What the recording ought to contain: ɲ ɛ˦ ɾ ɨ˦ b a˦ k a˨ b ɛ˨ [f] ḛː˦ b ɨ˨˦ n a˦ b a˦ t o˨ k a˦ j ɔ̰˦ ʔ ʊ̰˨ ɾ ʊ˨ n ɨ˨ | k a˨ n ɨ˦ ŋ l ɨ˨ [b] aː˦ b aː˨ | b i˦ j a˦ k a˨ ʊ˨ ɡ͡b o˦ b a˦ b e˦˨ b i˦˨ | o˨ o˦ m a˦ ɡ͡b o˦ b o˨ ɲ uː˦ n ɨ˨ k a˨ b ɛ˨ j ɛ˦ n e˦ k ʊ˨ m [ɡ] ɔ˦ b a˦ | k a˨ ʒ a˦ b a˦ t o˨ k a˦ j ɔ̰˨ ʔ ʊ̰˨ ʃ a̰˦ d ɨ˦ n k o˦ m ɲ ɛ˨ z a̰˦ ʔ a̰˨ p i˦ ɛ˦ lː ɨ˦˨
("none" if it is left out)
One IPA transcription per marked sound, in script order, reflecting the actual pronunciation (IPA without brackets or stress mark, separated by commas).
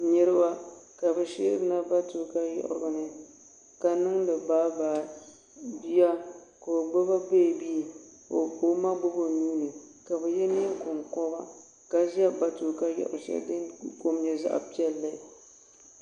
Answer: ʃ, b, k